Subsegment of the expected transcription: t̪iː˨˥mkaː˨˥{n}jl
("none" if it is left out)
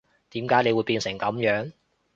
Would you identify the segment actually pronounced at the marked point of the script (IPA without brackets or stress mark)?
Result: none